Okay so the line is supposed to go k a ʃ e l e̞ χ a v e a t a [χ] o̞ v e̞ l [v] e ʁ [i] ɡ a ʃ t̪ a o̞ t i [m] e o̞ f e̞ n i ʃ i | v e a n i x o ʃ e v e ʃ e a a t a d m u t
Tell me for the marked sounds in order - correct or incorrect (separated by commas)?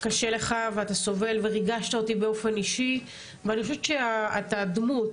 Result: incorrect, correct, correct, incorrect